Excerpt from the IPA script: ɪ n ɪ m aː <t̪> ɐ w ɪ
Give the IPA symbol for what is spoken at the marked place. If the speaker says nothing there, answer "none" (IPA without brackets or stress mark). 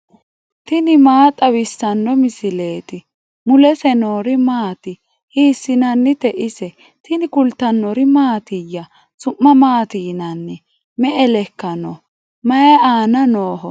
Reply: t̪ʼ